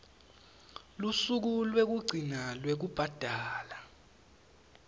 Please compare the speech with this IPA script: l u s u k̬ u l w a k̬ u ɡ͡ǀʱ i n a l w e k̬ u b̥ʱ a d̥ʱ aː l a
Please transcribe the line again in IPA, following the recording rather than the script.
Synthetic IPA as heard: l u s u k̬ u l w e k̬ u ɡ͡ǀʱ i n a l w e k̬ u b̥ʱ a d̥ʱ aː l a